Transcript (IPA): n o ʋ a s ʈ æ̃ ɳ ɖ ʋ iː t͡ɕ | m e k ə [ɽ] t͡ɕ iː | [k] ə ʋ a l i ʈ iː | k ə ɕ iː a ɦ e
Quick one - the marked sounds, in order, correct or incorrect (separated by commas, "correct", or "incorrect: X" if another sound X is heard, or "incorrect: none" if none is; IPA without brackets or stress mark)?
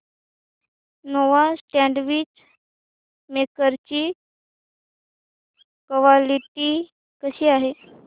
incorrect: ɾ, correct